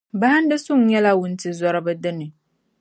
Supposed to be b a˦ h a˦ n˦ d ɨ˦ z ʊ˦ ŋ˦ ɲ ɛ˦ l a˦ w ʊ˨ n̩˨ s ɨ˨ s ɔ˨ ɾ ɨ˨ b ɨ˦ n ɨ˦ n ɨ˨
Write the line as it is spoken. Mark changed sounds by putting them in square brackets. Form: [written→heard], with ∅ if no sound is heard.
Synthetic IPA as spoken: b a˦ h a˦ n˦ d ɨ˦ [z→s] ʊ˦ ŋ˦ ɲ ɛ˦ l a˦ w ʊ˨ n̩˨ [s→t] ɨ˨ [s→z] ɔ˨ ɾ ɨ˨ b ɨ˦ [n→d] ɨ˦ n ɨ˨